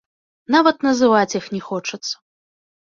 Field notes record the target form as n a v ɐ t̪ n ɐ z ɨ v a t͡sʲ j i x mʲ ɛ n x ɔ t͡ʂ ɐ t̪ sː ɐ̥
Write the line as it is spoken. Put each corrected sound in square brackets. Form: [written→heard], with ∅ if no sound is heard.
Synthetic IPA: n a v ɐ t̪ n ɐ z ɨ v a t͡sʲ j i x [mʲ→nʲ] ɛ [n→∅] x ɔ t͡ʂ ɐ t̪ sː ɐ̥